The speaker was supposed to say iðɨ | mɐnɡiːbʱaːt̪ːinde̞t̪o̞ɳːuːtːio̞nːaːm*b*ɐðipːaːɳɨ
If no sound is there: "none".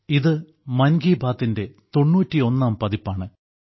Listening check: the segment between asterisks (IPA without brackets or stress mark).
p